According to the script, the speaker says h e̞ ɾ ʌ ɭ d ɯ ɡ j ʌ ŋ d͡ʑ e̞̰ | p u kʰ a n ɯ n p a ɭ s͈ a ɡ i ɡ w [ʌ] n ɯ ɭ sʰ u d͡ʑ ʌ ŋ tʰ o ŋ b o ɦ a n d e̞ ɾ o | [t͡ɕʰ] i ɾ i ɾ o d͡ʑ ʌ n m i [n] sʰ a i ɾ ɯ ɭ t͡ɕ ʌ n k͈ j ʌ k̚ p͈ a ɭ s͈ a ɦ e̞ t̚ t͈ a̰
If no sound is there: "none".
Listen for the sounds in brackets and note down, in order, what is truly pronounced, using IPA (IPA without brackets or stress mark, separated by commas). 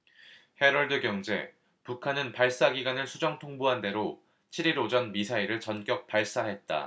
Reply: a, t͡ɕʰ, none